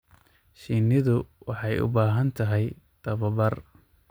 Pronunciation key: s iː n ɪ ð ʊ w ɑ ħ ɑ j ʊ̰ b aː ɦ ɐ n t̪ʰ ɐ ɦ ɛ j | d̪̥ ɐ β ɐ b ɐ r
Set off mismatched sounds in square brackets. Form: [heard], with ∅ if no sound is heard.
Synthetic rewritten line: [ʃ] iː n ɪ ð ʊ w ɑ ħ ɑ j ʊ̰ b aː ɦ ɐ n t̪ʰ ɐ ɦ ɛ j | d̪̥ ɐ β ɐ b ɐ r